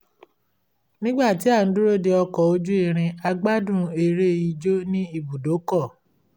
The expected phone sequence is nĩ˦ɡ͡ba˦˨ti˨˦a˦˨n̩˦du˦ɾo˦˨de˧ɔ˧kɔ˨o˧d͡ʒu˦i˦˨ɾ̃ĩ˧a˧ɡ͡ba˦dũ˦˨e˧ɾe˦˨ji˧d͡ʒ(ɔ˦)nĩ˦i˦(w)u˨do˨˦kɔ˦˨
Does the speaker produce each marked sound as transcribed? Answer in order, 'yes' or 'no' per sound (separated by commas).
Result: no, no